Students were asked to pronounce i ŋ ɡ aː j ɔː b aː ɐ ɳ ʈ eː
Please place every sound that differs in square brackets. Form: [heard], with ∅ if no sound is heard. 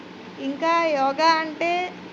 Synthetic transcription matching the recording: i ŋ [k] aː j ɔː [ɡ] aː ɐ ɳ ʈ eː